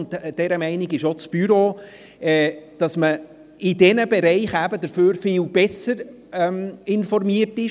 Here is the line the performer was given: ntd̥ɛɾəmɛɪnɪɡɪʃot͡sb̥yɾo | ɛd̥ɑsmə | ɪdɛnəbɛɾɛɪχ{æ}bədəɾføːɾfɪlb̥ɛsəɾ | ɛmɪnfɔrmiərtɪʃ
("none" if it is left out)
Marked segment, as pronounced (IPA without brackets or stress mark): æ